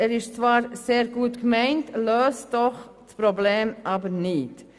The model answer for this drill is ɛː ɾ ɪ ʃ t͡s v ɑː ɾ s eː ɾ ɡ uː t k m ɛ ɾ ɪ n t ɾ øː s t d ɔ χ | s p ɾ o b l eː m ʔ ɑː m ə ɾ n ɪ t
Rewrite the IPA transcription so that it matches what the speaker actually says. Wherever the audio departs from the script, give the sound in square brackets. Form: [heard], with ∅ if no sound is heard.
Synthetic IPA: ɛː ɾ ɪ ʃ t͡s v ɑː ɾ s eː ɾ ɡ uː t k m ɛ [∅] ɪ n t [l] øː s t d ɔ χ | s p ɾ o b l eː m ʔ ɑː [b] ə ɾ n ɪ t